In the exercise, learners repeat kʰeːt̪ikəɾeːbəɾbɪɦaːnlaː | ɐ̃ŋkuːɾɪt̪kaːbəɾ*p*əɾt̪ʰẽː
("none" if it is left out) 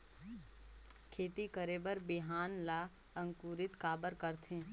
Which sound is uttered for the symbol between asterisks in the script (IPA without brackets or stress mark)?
k